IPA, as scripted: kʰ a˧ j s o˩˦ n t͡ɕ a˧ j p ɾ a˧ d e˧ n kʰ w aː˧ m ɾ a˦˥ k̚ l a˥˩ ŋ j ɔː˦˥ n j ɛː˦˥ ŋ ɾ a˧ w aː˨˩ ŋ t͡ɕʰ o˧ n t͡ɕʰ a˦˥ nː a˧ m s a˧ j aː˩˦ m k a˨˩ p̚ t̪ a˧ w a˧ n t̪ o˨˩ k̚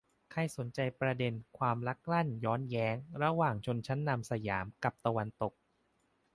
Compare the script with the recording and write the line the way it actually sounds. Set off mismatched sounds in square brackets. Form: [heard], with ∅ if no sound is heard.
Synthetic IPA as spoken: kʰ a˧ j s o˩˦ n t͡ɕ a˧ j p ɾ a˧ d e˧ n kʰ w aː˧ m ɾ a˦˥ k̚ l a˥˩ [n] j ɔː˦˥ n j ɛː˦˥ ŋ ɾ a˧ w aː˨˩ ŋ t͡ɕʰ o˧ n t͡ɕʰ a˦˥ nː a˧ m s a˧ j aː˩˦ m k a˨˩ p̚ t̪ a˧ w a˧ n t̪ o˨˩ k̚